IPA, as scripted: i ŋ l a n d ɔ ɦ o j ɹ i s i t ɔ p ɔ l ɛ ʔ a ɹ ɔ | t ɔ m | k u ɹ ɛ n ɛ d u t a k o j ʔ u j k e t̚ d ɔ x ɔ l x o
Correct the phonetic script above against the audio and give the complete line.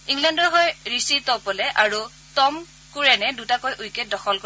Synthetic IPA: i ŋ l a n d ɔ ɦ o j ɹ i s i t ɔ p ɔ l ɛ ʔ a ɹ u | t ɔ m | k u ɹ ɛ n ɛ d u t a k o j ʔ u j k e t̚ d ɔ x ɔ l k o